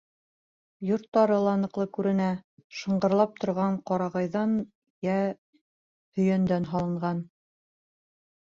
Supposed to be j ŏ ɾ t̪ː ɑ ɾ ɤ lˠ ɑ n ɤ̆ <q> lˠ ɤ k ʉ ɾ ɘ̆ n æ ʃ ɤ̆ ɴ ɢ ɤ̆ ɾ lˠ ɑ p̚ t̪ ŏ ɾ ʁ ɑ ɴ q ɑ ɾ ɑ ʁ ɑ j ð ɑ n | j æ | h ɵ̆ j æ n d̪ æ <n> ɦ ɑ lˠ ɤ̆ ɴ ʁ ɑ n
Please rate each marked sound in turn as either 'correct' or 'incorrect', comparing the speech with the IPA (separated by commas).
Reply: correct, correct